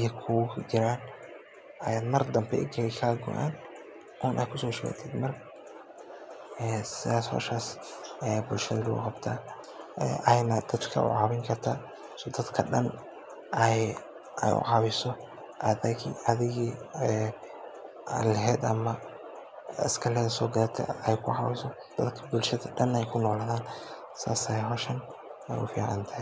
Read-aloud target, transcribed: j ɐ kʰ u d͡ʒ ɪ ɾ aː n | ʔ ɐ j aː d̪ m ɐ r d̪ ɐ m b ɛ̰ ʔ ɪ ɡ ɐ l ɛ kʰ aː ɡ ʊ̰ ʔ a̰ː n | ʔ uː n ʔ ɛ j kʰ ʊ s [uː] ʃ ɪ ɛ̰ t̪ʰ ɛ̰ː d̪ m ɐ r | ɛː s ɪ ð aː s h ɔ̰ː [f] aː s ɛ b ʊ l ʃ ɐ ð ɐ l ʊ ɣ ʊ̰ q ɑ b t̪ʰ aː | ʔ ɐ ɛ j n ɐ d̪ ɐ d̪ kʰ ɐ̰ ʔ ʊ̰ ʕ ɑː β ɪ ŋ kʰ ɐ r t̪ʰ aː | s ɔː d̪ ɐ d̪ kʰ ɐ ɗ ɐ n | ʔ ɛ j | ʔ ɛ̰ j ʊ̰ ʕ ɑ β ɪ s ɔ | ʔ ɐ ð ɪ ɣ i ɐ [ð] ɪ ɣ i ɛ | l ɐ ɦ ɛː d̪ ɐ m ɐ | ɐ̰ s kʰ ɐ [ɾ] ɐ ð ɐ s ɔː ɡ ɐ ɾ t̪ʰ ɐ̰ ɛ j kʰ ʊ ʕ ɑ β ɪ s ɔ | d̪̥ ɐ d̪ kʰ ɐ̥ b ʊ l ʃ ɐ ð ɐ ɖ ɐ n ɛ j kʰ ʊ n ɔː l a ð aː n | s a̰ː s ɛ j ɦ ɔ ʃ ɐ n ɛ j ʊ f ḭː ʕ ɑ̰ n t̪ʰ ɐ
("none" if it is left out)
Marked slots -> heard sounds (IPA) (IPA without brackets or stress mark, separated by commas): ɔː, ʃ, ð, l